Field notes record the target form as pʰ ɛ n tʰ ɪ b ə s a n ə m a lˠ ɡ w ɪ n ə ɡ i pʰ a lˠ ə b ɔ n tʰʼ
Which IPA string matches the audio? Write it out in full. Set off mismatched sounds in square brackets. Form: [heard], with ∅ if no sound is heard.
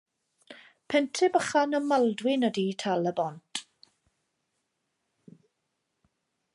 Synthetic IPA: pʰ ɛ n tʰ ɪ b ə [χ] a n ə m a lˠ [d] w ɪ n ə [d] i [tʰ] a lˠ ə b ɔ n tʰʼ